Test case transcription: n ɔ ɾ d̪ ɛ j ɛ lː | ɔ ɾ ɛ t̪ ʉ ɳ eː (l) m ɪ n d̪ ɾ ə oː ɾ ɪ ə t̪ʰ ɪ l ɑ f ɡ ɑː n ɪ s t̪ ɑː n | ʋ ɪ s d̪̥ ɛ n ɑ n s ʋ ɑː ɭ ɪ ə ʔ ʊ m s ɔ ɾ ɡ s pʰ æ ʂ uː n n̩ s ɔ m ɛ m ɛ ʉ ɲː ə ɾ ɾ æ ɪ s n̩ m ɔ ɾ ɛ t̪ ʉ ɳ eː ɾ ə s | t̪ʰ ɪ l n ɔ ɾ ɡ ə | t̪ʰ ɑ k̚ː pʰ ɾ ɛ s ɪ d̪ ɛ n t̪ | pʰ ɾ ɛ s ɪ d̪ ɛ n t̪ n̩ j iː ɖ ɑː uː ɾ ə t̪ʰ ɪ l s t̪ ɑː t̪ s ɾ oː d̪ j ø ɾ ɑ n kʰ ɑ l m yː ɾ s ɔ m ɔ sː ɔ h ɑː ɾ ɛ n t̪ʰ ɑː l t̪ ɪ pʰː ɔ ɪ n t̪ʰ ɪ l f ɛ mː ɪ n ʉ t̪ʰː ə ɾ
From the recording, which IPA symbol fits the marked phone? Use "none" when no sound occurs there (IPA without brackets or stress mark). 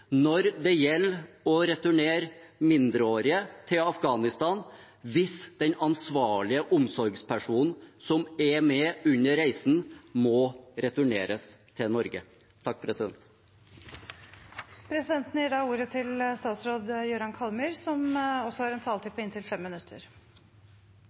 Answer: ɾ